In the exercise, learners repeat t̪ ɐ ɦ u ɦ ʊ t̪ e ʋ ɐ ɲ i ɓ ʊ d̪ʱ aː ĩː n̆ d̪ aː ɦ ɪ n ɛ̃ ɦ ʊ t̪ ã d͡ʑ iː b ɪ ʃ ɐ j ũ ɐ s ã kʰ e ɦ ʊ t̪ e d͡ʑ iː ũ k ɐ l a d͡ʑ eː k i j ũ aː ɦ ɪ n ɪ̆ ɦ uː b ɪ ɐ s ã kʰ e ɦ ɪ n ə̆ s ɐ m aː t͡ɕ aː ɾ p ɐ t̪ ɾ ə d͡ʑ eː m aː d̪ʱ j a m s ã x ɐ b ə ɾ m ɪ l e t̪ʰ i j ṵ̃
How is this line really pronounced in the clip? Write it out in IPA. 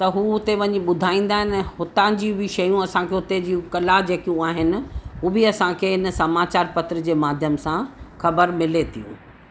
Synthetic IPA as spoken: t̪ ɐ ɦ u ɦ ʊ t̪ e ʋ ɐ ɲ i ɓ ʊ d̪ʱ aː ĩː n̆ d̪ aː ɦ ɪ n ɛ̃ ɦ ʊ t̪ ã d͡ʑ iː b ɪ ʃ ɐ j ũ ɐ s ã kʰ e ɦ ʊ t̪ e d͡ʑ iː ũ k ɐ l a d͡ʑ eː k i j ũ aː ɦ ɪ n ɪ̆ ɦ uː b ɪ ɐ s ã kʰ e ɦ ɪ n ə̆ s ɐ m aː t͡ɕ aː ɾ p ɐ t̪ ɾ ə d͡ʑ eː m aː d̪ʱ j ə m s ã x ɐ b ə ɾ m ɪ l e t̪ʰ i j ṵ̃